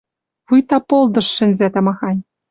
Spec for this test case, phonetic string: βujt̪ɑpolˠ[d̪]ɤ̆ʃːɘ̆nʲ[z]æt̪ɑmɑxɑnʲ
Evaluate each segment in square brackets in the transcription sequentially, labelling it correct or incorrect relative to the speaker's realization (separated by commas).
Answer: correct, correct